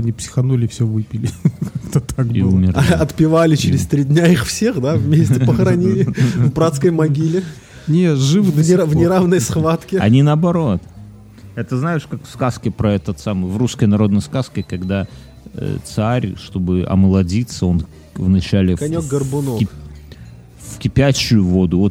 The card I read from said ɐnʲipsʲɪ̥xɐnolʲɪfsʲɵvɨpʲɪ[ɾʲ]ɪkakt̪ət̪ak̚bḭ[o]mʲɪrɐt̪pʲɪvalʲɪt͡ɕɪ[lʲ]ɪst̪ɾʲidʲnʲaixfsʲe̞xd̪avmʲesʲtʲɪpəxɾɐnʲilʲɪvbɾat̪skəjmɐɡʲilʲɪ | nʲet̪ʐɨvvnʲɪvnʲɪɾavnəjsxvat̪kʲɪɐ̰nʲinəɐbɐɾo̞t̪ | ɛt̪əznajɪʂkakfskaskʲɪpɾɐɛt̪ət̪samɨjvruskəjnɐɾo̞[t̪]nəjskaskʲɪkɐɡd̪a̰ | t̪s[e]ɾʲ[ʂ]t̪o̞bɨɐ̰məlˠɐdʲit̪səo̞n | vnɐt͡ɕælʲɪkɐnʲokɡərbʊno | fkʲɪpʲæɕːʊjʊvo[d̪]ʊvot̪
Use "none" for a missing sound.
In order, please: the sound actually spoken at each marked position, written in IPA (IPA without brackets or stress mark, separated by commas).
lʲ, u, ɾʲ, d̪, a, ʂ, d̪